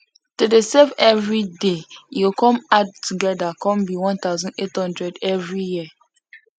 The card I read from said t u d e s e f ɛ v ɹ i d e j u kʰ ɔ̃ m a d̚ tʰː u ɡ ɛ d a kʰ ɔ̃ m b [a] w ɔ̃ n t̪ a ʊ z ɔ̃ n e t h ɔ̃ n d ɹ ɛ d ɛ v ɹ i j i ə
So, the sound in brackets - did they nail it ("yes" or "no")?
no